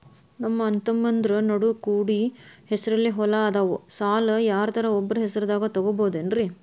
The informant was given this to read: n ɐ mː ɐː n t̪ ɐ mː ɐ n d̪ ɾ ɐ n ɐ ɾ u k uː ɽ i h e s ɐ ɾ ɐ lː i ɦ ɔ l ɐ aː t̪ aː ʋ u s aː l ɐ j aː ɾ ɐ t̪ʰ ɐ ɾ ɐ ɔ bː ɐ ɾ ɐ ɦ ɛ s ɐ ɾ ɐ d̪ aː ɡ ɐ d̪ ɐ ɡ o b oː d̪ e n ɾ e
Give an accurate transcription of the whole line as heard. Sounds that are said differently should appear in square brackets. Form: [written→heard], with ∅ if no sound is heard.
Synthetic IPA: n ɐ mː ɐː n t̪ ɐ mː ɐ n d̪ ɾ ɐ n ɐ [ɾ→ɽ] u k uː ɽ i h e s ɐ ɾ ɐ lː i ɦ ɔ l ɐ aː [t̪→d̪] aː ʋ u s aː l ɐ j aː ɾ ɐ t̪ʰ ɐ ɾ ɐ ɔ bː ɐ ɾ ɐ ɦ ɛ s ɐ ɾ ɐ d̪ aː ɡ ɐ [d̪→t̪] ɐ ɡ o b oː d̪ e n ɾ [e→i]